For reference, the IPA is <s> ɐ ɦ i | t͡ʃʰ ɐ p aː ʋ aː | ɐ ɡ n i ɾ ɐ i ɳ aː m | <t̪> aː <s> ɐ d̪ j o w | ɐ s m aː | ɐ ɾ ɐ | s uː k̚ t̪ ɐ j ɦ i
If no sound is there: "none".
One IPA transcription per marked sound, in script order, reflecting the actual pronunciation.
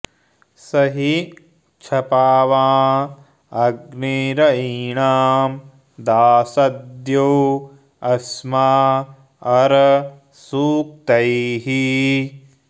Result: s, d̪, s

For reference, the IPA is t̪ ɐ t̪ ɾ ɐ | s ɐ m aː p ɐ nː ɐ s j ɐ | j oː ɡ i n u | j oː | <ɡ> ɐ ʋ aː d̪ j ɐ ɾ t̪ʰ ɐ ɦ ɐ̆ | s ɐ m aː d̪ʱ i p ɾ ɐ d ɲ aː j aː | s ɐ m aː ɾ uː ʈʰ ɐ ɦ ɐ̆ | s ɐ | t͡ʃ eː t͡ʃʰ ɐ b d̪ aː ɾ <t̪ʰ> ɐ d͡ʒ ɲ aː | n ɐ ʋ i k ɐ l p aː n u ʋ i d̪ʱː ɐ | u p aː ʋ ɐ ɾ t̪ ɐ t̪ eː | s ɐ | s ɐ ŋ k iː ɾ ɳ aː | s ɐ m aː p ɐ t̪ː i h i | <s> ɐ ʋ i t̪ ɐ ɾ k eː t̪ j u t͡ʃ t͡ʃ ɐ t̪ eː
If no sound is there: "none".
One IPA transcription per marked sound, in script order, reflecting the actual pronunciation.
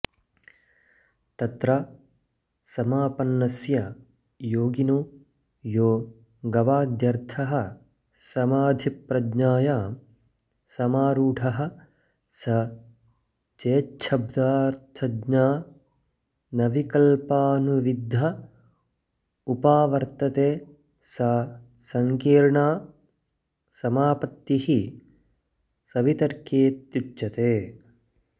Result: ɡ, t̪ʰ, s

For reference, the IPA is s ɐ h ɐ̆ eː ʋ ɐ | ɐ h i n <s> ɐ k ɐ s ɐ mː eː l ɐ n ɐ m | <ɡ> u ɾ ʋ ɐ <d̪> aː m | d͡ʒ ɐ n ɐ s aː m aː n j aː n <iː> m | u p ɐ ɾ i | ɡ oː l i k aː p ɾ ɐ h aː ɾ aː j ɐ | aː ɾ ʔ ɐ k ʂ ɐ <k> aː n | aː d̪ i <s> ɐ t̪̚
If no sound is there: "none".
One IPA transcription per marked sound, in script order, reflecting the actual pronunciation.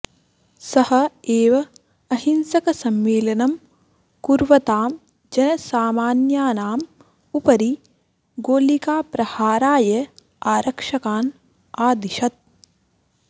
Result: s, k, t̪, aː, k, ʃ

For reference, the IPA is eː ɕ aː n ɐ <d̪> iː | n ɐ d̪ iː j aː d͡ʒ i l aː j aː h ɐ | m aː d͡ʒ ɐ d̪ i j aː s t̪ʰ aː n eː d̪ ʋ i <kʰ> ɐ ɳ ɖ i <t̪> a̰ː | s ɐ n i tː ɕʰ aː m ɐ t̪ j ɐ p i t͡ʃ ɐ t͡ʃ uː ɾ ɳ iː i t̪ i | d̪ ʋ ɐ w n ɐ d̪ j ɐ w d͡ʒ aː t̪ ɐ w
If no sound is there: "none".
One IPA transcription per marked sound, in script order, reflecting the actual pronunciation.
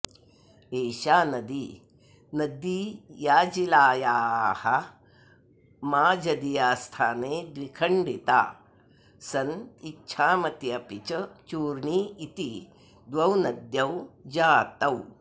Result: d̪, kʰ, t̪

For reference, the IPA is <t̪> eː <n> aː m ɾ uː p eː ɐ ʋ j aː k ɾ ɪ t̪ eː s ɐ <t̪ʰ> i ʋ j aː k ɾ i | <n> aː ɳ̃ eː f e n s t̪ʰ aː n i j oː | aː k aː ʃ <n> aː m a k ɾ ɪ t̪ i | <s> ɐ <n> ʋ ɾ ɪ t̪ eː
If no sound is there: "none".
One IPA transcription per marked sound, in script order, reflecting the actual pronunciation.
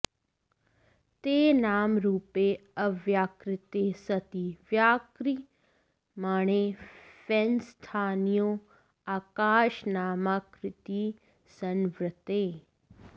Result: t̪, n, t̪, m, n, s, n

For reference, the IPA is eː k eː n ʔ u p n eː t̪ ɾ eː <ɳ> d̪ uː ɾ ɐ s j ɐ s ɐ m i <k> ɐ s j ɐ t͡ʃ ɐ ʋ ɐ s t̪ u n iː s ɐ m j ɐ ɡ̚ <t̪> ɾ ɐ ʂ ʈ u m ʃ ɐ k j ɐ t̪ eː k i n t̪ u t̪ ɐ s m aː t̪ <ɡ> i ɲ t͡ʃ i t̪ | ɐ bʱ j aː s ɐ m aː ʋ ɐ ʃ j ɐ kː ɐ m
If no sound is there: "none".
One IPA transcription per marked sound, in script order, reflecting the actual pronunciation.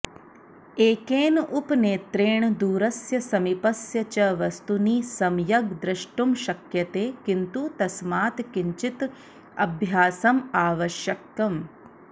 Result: ɳ, p, d̪, k

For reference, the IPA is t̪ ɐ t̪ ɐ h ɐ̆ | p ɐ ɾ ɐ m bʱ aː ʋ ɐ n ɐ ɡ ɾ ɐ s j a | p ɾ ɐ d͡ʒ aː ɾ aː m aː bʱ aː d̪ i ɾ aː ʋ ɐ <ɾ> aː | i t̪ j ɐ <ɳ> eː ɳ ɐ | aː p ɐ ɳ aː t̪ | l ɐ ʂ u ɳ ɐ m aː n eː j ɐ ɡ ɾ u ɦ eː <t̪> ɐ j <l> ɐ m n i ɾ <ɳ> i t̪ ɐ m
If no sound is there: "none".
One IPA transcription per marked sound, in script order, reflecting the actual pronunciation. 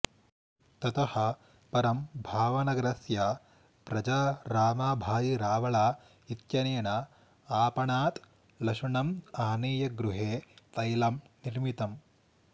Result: ɭ, n, t̪, l, m

